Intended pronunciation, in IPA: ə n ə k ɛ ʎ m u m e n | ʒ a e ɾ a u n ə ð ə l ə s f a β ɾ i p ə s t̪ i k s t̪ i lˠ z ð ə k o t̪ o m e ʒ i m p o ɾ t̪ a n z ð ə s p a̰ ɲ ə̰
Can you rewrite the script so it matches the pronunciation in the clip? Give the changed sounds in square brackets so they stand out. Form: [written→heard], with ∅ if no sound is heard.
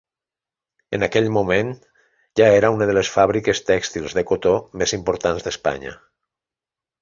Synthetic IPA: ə n [ə→a] k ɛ ʎ m u m e n | ʒ a e ɾ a u n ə ð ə l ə s f a β ɾ i [p→k] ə s t̪ [i→ɛ] k s t̪ i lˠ z ð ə k o t̪ o m e [ʒ→z] i m p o ɾ t̪ a n z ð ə s p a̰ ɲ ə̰